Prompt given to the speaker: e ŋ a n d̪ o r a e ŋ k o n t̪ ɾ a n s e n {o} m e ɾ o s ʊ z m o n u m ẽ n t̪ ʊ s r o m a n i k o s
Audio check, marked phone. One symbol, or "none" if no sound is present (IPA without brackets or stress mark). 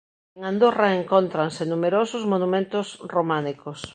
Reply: u